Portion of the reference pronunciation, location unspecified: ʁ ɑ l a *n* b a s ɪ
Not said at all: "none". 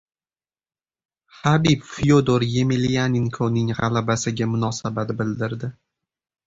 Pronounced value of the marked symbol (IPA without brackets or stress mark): none